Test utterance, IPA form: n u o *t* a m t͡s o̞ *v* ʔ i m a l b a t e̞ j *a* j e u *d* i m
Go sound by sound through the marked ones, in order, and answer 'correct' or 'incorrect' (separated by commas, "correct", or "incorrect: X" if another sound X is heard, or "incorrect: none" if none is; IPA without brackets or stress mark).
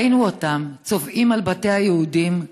correct, correct, correct, correct